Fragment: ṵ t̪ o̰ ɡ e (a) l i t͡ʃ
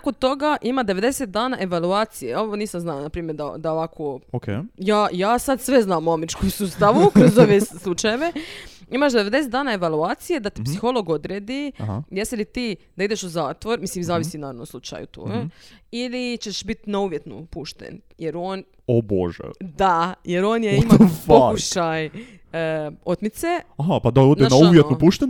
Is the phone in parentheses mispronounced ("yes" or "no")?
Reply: yes